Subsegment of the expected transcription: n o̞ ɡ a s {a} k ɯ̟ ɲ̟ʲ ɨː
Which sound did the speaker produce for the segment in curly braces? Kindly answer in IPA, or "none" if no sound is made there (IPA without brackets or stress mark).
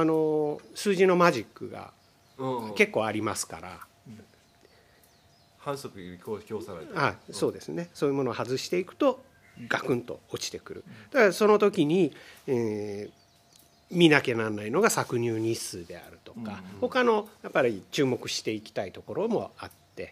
a